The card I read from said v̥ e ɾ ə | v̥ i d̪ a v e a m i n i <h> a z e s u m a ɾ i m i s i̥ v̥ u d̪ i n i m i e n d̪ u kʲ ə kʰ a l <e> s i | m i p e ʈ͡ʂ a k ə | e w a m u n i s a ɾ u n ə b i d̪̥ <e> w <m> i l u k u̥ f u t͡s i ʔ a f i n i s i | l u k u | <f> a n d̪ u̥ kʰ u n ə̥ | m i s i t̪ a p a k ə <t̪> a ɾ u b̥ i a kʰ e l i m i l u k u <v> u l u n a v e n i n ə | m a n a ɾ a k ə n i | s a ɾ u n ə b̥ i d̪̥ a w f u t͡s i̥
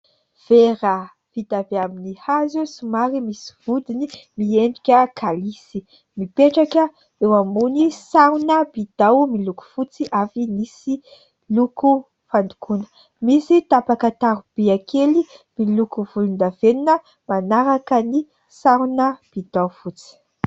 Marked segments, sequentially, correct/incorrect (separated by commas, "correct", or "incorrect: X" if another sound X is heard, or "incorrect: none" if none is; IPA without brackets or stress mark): correct, incorrect: i, incorrect: a, correct, correct, correct, correct